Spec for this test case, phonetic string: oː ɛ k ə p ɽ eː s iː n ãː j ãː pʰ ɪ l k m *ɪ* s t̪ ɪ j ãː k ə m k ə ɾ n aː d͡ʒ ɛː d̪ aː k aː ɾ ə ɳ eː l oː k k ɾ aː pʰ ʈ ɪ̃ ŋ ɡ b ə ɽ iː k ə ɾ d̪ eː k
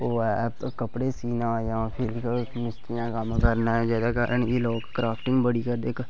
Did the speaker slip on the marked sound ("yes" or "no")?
no